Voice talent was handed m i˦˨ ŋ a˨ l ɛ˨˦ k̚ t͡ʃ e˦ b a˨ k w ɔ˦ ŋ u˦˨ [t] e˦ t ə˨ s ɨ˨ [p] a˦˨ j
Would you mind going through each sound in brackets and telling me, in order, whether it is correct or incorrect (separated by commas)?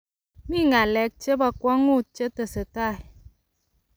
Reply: incorrect, incorrect